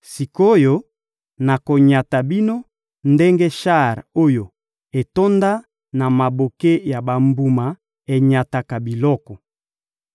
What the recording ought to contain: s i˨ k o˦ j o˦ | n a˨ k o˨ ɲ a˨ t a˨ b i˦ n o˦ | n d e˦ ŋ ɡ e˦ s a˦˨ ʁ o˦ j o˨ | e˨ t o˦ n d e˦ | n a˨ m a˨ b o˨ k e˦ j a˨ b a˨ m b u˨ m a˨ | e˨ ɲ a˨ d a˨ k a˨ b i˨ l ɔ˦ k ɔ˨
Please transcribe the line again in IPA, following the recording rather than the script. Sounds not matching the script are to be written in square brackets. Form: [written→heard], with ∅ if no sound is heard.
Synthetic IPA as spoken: s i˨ k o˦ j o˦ | n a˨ k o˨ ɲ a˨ t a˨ b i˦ n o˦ | n d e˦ ŋ ɡ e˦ [s→ʃ] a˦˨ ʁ o˦ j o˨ | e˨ t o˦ n d [e˦→a˦] | n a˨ m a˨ b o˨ k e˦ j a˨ b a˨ m b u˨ m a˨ | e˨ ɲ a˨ [d→t] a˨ k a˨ b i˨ l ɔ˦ k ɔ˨